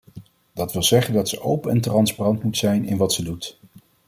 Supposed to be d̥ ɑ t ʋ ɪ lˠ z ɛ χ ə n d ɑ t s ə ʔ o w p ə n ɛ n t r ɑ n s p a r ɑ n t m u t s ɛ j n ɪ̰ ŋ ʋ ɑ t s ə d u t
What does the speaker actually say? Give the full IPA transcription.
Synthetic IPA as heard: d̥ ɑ t ʋ ɪ lˠ z ɛ χ ə n d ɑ t s ə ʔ o w p ə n ɛ n t r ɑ n s p a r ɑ n t m u t s ɛ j n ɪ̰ n ʋ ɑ t s ə d u t